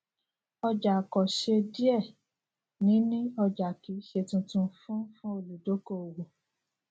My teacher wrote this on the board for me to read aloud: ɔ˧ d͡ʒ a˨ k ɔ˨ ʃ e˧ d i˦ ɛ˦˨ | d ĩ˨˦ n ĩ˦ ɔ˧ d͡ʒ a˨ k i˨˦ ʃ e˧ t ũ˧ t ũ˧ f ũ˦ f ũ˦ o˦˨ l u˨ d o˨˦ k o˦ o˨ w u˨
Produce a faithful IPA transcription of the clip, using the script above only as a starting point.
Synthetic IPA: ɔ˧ d͡ʒ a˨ k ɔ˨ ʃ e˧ d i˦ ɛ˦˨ | n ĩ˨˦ n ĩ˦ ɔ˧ d͡ʒ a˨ k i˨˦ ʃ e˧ t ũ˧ t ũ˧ f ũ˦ f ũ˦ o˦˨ l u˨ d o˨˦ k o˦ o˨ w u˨